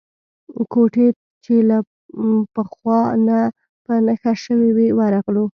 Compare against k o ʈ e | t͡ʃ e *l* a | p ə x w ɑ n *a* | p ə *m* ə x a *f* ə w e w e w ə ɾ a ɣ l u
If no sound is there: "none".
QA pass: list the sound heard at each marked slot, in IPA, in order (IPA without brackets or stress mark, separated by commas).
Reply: l, a, n, ʃ